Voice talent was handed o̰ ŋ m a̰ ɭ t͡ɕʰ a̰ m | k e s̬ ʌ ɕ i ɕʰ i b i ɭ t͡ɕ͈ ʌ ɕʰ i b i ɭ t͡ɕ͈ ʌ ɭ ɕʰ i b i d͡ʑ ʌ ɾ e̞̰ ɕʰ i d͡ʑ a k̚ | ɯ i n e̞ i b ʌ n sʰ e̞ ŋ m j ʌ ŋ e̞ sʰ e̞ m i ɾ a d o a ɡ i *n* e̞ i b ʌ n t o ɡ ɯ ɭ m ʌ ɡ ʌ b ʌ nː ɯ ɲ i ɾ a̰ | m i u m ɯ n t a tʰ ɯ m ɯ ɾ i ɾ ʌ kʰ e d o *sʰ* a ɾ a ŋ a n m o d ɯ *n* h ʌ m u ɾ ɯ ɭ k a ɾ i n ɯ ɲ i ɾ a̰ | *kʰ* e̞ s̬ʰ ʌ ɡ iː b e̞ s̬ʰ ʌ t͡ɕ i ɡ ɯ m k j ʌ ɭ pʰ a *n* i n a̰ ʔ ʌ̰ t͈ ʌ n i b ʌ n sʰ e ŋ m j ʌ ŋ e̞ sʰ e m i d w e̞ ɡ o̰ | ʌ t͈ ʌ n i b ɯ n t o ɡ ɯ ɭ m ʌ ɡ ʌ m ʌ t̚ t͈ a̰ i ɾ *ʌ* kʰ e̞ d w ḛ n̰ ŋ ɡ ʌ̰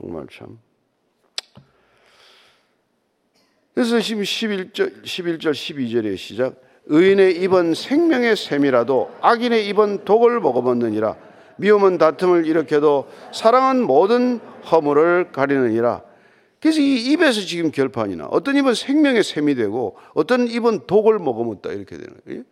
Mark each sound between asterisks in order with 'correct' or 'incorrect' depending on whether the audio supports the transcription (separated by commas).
correct, correct, correct, incorrect, incorrect, correct